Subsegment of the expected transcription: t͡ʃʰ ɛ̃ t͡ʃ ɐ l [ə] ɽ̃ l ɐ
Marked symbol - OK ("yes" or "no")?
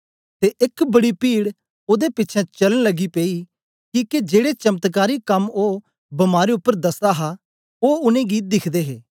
yes